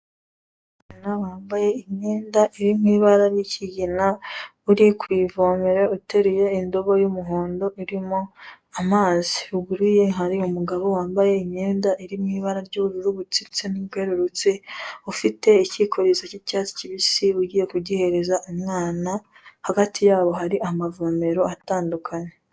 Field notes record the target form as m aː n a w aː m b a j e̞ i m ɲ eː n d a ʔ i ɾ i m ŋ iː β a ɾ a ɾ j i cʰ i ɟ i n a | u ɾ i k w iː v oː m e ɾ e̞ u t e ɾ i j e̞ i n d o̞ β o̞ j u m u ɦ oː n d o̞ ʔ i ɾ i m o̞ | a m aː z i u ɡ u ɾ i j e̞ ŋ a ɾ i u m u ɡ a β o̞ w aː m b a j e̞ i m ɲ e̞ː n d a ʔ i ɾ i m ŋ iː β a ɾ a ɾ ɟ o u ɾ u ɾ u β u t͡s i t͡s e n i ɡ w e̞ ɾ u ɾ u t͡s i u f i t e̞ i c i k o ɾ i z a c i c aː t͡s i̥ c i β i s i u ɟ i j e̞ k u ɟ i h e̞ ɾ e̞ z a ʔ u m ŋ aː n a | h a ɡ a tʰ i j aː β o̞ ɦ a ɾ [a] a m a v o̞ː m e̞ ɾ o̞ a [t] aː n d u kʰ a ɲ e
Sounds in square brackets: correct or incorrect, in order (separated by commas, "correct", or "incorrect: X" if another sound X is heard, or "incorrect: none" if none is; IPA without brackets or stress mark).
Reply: incorrect: i, correct